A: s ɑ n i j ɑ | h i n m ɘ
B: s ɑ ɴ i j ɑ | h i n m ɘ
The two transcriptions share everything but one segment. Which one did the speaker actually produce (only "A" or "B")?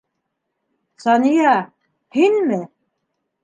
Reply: A